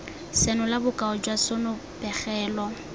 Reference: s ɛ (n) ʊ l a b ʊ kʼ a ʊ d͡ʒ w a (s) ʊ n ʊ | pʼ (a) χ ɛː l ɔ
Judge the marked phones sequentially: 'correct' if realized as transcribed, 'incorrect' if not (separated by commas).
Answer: correct, correct, incorrect